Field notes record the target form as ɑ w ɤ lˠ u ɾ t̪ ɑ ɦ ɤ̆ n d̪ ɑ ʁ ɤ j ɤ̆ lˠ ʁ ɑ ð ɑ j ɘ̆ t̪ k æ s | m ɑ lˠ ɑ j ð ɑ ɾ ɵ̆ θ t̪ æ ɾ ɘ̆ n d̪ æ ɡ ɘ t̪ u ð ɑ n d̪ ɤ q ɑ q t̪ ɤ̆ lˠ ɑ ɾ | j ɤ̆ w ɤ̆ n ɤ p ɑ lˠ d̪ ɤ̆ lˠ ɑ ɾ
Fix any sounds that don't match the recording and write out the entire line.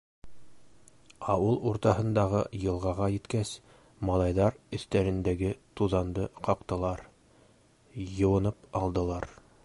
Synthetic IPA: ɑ w ɤ lˠ u ɾ t̪ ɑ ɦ ɤ̆ n d̪ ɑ ʁ ɤ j ɤ̆ lˠ ʁ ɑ ʁ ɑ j ɘ̆ t̪ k æ s | m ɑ lˠ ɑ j ð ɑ ɾ ɵ̆ θ t̪ æ ɾ ɘ̆ n d̪ æ ɡ ɘ t̪ u ð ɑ n d̪ ɤ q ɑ q t̪ ɤ̆ lˠ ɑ ɾ | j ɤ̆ w ɤ̆ n ɤ p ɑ lˠ d̪ ɤ̆ lˠ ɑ ɾ